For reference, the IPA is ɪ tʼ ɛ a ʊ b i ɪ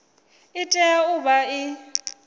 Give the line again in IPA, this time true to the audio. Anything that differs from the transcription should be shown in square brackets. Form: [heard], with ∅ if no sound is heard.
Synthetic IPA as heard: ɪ tʼ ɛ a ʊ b [a] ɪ